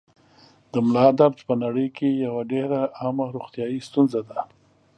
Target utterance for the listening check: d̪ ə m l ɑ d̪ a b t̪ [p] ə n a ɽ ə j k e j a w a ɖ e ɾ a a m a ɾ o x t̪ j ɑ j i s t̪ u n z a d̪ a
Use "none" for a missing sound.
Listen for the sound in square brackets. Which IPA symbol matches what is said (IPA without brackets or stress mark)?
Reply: p